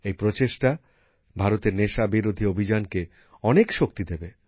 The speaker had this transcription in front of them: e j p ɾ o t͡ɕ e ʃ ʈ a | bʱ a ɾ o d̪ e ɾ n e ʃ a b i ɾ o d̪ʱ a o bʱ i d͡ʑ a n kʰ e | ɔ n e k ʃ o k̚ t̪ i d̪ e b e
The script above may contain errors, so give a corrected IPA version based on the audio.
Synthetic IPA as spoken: e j p ɾ o t͡ɕ e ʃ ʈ a | bʱ a ɾ o t̪ e ɾ n e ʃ a b i ɾ o d̪ʱ i o bʱ i d͡ʑ a n k e | ɔ n e k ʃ o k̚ t̪ i d̪ e b e